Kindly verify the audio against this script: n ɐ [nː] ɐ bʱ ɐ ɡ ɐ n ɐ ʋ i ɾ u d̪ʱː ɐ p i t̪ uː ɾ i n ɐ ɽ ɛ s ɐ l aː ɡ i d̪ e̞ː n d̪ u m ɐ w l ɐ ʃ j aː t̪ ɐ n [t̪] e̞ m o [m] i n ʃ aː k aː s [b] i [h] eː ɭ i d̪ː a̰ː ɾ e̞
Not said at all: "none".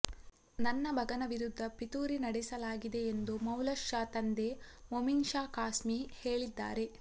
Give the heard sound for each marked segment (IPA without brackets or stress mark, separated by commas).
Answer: nː, d̪, m, m, h